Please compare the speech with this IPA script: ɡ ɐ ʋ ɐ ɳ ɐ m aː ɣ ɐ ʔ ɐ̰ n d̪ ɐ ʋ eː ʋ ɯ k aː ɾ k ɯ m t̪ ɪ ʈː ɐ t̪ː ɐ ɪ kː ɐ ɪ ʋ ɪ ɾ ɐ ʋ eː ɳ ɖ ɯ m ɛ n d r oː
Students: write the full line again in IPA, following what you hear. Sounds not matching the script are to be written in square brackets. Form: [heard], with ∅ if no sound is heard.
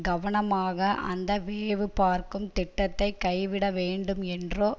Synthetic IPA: ɡ ɐ ʋ ɐ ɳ ɐ m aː ɣ ɐ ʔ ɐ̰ n d̪ ɐ ʋ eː ʋ ɯ [p] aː ɾ k ɯ m t̪ ɪ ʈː ɐ t̪ː ɐ ɪ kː ɐ ɪ ʋ ɪ [ɽ] ɐ ʋ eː ɳ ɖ ɯ m ɛ n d r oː